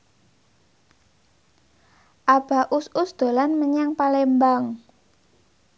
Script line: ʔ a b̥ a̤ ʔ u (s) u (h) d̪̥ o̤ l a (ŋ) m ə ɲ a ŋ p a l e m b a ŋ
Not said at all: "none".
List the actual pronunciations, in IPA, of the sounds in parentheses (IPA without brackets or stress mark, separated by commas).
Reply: s, s, n